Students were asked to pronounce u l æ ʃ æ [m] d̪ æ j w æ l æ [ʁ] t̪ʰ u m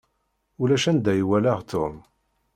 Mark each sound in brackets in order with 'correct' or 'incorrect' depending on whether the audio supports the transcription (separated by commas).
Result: incorrect, correct